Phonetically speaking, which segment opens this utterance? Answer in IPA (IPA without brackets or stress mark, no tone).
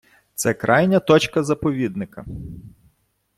t̪